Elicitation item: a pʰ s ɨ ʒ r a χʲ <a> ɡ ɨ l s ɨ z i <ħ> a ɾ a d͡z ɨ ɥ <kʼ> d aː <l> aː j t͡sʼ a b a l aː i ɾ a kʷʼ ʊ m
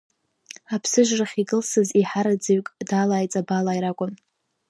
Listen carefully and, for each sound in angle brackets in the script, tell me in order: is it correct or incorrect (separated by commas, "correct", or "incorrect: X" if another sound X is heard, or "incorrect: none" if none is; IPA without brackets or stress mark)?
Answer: incorrect: i, correct, correct, correct